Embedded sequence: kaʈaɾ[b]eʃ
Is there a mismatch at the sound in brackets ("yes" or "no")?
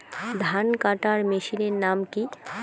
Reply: yes